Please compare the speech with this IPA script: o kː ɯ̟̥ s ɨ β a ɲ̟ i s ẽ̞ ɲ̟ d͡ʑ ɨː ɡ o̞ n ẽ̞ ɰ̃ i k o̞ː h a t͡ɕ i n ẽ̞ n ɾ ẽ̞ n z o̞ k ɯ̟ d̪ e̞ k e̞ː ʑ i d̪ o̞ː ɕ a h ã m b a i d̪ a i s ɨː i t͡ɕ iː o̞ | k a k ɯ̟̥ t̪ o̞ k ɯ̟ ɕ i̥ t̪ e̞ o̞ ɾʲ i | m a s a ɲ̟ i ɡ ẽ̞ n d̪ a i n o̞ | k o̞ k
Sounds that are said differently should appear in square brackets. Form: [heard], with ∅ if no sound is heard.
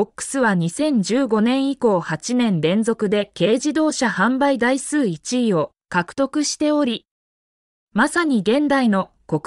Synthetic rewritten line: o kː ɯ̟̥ s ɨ β a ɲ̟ i s ẽ̞ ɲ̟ d͡ʑ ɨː ɡ o̞ n ẽ̞ ɰ̃ i k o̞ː h a t͡ɕ i n ẽ̞ n ɾ ẽ̞ n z o̞ k ɯ̟ d̪ e̞ k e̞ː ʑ i d̪ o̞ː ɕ a h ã m b a i d̪ a i s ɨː i t͡ɕ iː o̞ | k a k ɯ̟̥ t̪ o̞ k ɯ̟ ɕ i̥ t̪ e̞ o̞ ɾʲ i | m a s a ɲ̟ i ɡ ẽ̞ n d̪ a i n o̞ | k o̞ k